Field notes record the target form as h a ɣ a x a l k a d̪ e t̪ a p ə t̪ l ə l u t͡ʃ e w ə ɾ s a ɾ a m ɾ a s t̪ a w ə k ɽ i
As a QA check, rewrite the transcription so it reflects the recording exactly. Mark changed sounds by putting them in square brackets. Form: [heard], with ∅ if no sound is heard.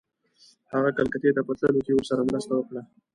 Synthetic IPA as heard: h a ɣ a [k] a l k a [t̪] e t̪ a p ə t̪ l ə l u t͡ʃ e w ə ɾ s a ɾ a m ɾ a s t̪ a w ə k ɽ [a]